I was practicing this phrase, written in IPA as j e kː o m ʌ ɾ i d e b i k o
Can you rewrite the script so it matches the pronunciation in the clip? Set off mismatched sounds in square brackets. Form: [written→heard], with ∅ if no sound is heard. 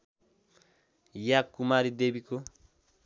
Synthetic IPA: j [e→a] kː [o→u] m [ʌ→a] ɾ i d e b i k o